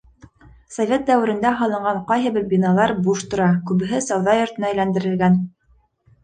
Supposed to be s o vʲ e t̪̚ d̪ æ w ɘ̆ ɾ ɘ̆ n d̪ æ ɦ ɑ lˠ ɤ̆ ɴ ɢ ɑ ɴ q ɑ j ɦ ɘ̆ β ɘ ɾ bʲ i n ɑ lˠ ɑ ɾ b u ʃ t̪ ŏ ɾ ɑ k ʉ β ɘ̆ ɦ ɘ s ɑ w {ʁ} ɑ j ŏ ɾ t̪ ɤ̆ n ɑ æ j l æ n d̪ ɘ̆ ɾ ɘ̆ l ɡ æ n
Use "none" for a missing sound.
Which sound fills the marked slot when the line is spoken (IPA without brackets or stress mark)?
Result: ð